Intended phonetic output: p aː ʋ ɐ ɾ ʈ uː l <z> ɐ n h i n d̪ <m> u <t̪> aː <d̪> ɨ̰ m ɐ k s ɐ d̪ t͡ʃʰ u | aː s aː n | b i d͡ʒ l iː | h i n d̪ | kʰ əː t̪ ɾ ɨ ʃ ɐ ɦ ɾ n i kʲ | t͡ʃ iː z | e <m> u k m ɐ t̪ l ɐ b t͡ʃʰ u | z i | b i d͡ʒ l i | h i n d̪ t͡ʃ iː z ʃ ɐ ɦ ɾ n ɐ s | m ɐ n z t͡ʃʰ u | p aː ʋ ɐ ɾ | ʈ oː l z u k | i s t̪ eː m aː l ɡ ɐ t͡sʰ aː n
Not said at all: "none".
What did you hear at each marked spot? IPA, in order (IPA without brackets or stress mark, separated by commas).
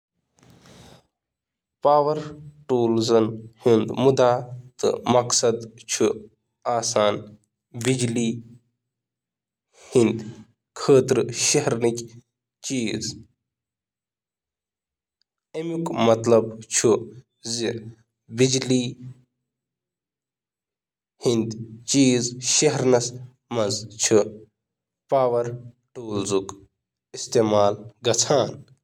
z, m, d̪, t̪, m